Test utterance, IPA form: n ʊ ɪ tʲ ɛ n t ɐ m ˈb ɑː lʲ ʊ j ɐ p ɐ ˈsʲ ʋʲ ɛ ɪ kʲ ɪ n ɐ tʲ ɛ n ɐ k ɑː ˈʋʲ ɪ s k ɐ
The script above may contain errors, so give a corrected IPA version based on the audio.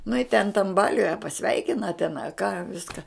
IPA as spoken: n ʊ ɪ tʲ ɛ n t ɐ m ˈb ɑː lʲ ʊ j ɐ p ɐ ˈsʲ ʋʲ ɛ ɪ kʲ ɪ n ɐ tʲ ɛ n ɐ k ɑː ˈʋʲ ɪ s k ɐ